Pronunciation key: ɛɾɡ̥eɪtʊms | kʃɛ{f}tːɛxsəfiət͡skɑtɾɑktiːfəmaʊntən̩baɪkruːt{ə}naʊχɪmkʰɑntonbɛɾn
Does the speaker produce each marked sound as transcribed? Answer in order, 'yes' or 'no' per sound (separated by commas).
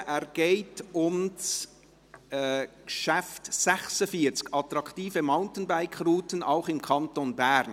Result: yes, yes